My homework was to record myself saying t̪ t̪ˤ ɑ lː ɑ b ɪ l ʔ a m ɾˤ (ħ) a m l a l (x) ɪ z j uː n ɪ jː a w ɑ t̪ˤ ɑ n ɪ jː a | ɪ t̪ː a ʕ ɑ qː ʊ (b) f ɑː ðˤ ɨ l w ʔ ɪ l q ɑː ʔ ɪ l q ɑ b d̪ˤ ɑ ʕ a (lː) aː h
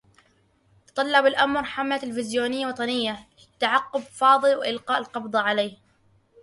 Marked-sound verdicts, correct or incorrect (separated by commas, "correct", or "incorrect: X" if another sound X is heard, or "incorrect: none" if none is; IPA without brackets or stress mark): correct, incorrect: f, correct, incorrect: l